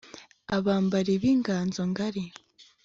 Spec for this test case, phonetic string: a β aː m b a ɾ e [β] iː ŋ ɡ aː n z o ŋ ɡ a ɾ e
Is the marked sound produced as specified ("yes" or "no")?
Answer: yes